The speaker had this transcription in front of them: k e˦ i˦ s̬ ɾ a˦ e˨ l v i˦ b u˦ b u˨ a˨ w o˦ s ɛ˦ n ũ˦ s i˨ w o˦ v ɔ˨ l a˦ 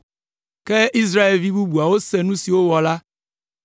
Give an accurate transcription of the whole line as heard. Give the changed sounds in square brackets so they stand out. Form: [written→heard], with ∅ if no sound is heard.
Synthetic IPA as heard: k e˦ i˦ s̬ ɾ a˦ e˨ l v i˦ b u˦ b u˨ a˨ w o˦ s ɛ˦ n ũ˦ s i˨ w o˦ [v→w] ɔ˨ l a˦